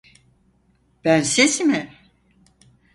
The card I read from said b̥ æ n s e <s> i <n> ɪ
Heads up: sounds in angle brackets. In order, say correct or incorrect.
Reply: correct, incorrect

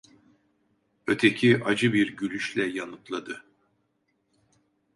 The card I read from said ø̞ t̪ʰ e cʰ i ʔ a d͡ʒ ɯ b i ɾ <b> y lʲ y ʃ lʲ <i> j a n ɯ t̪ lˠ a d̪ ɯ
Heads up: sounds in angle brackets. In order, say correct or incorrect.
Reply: incorrect, incorrect

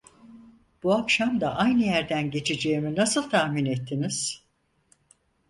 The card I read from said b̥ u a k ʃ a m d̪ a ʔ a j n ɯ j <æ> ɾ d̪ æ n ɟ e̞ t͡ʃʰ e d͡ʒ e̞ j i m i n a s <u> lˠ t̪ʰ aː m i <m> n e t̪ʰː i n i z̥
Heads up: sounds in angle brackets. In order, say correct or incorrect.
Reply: correct, incorrect, incorrect

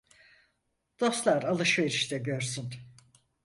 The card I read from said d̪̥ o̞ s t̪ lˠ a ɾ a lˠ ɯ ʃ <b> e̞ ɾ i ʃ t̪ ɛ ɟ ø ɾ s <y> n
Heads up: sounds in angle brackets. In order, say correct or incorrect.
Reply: incorrect, correct

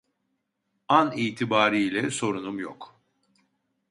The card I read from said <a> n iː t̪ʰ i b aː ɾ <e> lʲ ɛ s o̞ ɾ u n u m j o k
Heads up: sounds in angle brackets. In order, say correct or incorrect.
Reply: correct, incorrect

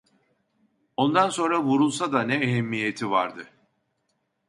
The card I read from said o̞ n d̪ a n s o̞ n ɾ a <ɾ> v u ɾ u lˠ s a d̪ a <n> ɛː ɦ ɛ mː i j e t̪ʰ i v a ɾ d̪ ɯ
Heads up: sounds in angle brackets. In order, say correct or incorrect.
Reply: incorrect, correct

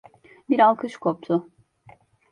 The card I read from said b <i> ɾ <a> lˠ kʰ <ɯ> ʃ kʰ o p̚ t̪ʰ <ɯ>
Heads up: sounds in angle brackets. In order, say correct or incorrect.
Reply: correct, correct, correct, incorrect

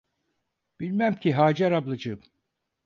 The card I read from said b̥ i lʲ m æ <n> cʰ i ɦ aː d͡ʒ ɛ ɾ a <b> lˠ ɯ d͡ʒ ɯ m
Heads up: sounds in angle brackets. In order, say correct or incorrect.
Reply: incorrect, correct

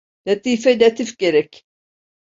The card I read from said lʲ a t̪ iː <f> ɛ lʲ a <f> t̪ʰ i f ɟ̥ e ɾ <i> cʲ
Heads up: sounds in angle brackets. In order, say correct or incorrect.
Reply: correct, incorrect, incorrect

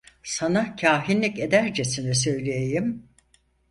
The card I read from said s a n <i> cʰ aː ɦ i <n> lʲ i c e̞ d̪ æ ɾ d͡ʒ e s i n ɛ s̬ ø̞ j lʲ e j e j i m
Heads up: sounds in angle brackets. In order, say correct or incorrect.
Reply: incorrect, correct

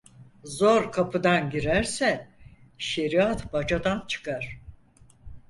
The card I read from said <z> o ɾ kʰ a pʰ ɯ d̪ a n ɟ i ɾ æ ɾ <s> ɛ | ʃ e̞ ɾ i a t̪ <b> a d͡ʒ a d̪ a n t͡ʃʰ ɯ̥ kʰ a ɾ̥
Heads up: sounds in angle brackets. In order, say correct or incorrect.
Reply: correct, correct, correct

